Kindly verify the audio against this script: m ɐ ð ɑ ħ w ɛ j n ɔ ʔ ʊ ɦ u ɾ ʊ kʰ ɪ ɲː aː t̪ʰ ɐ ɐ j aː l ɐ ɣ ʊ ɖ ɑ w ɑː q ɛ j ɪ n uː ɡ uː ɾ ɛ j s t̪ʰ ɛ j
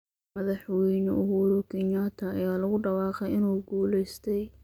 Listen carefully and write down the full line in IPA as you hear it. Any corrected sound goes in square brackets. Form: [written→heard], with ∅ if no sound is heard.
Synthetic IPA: m ɐ ð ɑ ħ w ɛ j n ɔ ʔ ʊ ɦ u ɾ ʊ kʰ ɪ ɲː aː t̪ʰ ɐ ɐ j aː l ɐ ɣ ʊ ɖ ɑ w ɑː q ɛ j ɪ n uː ɡ uː [ɾ→l] ɛ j s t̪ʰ ɛ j